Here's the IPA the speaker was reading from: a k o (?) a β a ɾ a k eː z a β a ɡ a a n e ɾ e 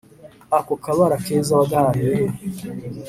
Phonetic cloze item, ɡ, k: k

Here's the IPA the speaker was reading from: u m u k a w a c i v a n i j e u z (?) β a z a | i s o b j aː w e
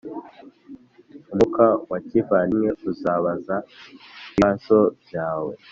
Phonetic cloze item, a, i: a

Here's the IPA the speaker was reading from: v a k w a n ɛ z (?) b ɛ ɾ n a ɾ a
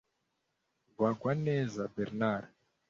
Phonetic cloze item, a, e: a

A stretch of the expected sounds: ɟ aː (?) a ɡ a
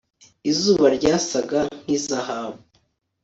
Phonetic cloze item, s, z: s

